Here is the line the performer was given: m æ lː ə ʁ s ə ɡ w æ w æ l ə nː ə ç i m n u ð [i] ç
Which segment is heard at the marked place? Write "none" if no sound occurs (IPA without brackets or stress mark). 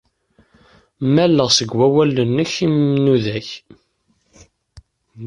æ